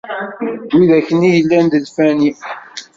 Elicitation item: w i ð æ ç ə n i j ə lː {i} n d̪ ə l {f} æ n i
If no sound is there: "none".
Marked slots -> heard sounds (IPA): æ, f

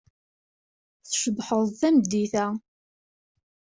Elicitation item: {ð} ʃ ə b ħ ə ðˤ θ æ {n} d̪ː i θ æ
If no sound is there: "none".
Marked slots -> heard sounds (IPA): θ, m

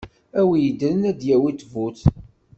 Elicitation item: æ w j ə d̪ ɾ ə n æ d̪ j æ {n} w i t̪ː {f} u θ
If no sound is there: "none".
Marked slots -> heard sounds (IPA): none, v

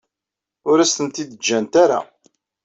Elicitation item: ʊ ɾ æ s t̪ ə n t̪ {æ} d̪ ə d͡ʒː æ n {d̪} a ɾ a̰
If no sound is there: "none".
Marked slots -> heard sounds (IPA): i, t̪

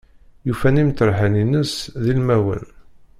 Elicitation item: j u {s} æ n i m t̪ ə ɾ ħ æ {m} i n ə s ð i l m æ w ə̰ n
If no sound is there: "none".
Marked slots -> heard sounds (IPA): f, n

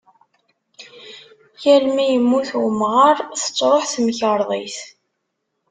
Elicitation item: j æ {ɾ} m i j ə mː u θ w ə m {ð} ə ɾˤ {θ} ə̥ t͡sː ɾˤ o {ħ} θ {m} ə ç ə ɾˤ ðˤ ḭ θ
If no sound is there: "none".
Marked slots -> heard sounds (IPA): l, ʁ, θ, ħ, m

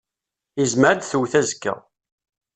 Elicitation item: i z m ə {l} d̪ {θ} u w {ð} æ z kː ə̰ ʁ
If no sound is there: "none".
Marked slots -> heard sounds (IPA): ɾ, θ, θ

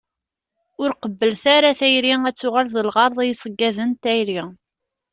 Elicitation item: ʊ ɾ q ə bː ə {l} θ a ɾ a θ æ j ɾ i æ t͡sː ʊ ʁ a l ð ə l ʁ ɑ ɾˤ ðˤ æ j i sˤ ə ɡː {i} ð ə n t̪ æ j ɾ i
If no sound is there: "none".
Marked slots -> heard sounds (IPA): l, æ

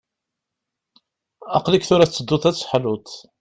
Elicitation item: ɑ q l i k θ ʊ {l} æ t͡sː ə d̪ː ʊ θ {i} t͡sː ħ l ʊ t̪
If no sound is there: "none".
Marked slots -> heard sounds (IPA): ɾ, æ

